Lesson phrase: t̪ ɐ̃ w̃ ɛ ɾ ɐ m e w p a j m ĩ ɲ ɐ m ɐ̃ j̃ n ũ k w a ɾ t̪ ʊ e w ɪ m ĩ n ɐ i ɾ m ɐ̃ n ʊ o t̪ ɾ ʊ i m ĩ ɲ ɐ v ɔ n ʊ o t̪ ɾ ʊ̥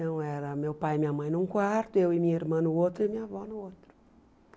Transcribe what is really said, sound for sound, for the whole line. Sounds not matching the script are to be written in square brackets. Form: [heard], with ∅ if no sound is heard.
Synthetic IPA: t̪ ɐ̃ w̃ ɛ ɾ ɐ m e w p a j m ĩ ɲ ɐ m ɐ̃ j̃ n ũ k w a ɾ t̪ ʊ e w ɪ m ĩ [ɲ] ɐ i ɾ m ɐ̃ n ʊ o t̪ ɾ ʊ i m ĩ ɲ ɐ v ɔ n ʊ o t̪ ɾ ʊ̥